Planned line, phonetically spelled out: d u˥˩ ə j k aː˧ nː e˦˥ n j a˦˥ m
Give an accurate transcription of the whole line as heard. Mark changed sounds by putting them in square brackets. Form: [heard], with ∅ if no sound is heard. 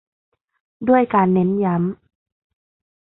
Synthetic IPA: d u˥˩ ə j k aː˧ nː e˦˥ n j a˦˥ m